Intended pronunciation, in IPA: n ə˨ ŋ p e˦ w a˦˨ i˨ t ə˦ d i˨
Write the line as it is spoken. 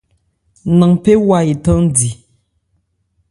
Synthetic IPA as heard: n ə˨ ŋ p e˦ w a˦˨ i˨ t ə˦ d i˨